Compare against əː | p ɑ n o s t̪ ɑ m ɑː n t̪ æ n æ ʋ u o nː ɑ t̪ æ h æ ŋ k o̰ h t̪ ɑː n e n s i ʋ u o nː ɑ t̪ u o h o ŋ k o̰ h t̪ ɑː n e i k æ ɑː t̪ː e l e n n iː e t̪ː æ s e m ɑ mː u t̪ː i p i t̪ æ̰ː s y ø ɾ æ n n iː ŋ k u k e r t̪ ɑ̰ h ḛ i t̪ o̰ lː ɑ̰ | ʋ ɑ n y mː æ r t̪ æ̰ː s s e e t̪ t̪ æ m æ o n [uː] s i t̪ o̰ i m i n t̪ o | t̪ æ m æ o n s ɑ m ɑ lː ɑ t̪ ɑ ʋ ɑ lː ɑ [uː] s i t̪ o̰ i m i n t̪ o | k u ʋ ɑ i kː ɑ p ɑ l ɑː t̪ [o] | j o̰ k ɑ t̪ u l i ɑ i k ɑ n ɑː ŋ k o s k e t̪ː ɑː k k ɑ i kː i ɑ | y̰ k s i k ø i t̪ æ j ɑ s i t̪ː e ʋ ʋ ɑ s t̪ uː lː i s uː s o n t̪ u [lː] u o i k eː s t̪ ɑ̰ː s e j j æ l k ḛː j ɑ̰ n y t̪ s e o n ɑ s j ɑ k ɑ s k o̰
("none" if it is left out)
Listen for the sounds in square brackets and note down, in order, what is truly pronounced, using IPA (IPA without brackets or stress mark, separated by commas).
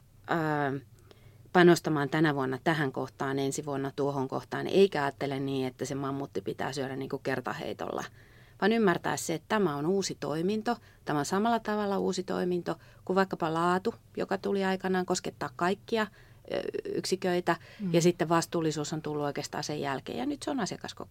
uː, uː, u, lː